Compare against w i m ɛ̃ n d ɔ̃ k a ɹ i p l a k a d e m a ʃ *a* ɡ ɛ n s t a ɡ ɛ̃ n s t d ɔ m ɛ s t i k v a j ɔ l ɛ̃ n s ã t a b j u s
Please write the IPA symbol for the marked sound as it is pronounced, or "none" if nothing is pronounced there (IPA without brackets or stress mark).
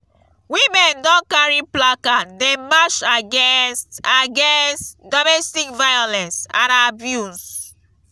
a